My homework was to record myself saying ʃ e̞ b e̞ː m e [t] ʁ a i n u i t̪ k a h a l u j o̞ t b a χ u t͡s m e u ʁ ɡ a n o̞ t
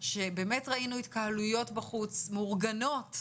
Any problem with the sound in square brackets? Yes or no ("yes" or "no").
no